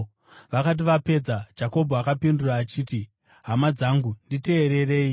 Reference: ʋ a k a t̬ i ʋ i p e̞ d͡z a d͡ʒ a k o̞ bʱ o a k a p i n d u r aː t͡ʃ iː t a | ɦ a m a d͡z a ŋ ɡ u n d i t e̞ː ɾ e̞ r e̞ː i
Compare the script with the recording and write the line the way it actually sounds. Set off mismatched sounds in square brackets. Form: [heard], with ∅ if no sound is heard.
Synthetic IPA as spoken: ʋ a k a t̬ i ʋ [a] p e̞ d͡z a d͡ʒ a k o̞ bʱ o a k a p i n d u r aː t͡ʃ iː t [i] | ɦ a m a d͡z a ŋ ɡ u n d i t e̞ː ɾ e̞ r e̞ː i